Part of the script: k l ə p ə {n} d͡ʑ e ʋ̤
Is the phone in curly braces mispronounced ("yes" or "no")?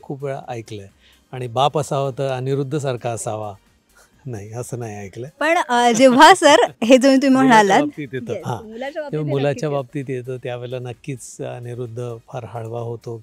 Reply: yes